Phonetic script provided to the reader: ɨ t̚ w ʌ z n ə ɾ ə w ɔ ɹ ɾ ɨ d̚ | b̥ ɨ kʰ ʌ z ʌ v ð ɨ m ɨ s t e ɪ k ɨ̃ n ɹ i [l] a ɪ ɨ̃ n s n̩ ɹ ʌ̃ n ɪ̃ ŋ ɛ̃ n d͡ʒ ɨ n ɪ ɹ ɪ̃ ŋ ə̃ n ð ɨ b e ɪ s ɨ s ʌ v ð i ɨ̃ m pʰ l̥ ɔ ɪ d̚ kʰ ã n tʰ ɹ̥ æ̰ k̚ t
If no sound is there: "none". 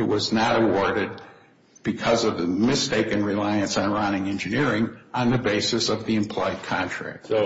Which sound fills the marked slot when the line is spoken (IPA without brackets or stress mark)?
l